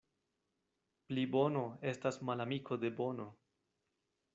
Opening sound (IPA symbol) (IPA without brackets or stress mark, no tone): p